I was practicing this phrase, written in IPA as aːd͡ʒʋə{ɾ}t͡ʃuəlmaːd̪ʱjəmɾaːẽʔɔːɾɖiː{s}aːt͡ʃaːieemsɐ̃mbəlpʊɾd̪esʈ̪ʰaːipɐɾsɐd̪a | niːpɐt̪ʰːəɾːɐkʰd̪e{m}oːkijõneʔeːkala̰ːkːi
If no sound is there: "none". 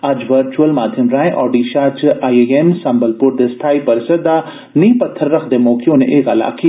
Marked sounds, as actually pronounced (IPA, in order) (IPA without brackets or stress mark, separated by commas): ɾ, ʃ, m